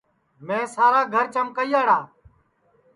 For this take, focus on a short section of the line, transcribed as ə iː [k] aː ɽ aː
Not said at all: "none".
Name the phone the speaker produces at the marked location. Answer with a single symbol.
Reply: none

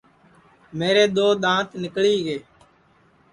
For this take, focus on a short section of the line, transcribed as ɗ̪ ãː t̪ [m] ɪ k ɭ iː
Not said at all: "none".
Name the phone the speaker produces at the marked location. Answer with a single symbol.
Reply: n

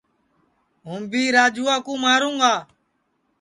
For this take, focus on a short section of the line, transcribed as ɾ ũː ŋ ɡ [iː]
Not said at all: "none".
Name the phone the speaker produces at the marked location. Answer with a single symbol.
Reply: aː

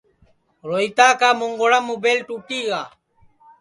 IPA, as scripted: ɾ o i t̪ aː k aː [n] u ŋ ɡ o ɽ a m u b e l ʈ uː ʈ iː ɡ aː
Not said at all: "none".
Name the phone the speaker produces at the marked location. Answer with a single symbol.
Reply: m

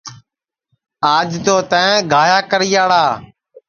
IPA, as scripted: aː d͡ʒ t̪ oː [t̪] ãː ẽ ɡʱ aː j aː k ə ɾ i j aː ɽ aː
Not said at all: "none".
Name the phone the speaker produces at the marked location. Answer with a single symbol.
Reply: t̪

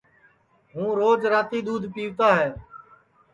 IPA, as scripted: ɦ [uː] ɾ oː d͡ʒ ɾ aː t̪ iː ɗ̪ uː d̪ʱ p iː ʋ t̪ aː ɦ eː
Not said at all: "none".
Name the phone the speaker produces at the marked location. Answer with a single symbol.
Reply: ũː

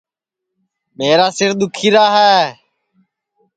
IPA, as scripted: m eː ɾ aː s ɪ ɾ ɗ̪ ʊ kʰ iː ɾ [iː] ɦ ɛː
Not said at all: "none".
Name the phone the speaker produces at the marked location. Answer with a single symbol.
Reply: aː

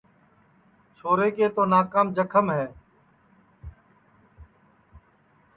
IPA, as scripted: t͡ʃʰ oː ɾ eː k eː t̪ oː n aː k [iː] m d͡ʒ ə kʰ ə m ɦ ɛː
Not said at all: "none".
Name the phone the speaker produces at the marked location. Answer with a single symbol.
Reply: aː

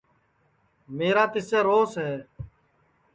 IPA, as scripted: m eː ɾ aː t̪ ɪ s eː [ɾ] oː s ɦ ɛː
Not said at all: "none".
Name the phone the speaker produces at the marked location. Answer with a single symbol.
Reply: ɾ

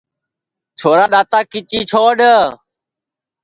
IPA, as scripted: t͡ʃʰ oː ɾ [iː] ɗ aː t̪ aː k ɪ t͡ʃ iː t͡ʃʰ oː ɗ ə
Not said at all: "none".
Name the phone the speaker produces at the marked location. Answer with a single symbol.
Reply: aː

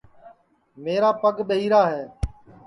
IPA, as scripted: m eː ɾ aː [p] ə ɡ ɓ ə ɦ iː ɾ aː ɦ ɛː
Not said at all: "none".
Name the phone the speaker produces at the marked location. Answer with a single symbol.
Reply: p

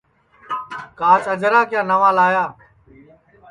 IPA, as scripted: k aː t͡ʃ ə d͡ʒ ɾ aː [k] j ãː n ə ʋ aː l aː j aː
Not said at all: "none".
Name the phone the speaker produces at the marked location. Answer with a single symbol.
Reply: k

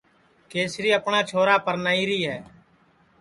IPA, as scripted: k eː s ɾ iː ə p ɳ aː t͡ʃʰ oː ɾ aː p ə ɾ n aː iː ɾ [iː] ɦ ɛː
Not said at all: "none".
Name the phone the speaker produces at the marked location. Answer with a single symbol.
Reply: iː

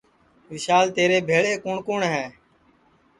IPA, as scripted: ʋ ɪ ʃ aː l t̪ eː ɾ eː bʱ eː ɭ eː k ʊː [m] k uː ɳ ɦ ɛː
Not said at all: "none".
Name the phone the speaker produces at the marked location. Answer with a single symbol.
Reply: ɳ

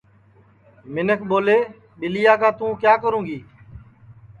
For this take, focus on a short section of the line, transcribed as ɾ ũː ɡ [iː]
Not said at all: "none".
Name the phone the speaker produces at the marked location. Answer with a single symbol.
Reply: iː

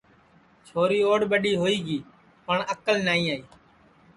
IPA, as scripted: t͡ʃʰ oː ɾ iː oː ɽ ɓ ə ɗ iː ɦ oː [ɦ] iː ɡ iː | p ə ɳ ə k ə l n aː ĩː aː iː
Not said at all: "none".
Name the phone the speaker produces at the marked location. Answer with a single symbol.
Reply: none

